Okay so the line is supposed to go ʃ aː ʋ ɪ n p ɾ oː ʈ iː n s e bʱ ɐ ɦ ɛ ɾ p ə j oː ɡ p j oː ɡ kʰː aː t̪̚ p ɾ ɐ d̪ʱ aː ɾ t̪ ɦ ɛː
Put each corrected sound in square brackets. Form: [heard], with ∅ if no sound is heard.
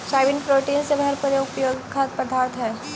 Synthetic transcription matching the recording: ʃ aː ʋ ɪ n p ɾ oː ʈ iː n s e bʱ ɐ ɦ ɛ ɾ p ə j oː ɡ p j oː ɡ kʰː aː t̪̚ p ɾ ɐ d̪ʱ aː ɾ t̪ ɦ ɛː